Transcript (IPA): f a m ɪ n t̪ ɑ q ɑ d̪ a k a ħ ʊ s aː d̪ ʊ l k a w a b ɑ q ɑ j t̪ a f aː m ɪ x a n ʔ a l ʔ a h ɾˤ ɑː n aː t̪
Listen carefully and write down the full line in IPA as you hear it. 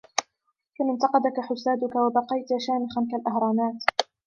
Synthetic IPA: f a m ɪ n t̪ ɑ q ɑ d̪ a k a ħ ʊ s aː d̪ ʊ k a w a b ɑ q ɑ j t̪ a ʃ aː m ɪ x a n k a l ʔ a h ɾˤ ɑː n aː t̪